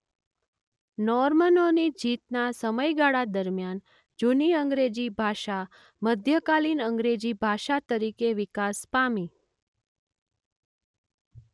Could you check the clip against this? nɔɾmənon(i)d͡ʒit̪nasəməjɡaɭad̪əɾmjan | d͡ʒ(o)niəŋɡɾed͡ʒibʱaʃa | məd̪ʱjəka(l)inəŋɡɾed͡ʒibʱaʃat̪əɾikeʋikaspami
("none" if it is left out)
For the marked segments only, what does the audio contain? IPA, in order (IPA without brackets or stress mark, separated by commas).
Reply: i, u, l